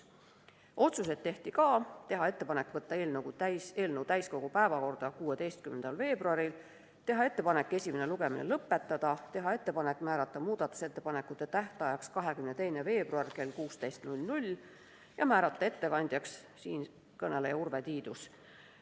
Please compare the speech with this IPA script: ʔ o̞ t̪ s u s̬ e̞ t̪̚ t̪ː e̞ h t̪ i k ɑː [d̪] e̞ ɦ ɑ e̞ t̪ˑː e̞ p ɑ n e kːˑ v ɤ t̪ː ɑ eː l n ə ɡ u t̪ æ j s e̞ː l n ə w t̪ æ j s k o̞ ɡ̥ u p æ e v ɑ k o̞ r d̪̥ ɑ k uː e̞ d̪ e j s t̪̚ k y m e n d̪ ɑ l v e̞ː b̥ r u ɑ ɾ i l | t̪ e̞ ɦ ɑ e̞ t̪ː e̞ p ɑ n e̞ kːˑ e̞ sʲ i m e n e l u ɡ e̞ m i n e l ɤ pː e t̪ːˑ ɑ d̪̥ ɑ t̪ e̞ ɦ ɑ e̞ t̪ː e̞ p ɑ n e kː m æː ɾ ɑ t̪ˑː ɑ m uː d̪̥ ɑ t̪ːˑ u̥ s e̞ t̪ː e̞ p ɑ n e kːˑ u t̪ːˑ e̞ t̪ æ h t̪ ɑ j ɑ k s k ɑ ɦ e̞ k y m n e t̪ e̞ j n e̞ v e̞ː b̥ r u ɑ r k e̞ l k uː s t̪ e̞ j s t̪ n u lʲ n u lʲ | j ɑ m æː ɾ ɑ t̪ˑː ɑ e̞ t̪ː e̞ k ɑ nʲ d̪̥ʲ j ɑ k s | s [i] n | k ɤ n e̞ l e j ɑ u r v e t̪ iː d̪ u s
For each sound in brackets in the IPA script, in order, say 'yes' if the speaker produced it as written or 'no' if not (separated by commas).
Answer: no, no